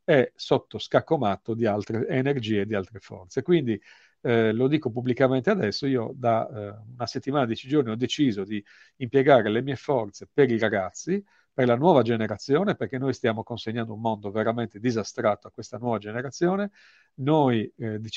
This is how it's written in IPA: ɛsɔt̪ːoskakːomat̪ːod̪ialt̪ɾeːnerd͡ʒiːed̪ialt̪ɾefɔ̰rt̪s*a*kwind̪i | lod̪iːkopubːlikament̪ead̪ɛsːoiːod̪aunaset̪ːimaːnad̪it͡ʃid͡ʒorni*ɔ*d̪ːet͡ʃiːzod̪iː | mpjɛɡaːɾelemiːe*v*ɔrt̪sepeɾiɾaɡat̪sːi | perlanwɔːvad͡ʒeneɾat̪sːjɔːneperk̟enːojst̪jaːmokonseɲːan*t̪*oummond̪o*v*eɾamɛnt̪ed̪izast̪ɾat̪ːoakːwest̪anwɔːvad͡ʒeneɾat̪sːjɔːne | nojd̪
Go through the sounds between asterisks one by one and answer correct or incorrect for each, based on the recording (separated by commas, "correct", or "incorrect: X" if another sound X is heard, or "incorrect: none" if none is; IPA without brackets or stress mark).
incorrect: e, correct, incorrect: f, incorrect: d̪, correct